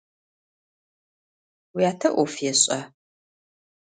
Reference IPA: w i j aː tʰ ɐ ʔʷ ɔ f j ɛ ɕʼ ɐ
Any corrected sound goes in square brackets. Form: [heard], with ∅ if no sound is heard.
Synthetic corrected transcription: w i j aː tʰ ɐ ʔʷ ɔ f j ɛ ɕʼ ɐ